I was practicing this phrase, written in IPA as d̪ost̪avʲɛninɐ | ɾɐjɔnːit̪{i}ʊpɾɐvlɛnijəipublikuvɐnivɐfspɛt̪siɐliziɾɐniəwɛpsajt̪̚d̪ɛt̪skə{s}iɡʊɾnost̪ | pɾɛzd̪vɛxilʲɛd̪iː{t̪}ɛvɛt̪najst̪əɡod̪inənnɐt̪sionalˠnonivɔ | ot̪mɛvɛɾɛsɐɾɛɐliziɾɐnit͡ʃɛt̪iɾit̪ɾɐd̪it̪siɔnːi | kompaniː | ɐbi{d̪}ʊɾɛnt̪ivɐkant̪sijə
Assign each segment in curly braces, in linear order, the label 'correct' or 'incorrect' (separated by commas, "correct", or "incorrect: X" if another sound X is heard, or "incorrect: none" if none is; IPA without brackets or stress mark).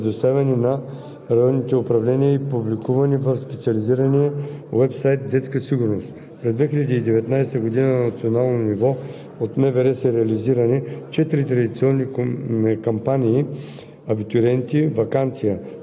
incorrect: ɛ, correct, incorrect: d̪, incorrect: t̪